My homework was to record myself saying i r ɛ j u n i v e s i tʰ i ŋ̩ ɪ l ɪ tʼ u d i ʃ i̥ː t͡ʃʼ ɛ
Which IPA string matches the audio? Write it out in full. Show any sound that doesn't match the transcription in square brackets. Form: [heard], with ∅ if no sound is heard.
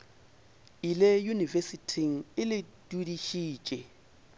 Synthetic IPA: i [l] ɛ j u n i v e s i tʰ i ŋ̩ ɪ l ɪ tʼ u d i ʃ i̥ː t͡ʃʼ ɛ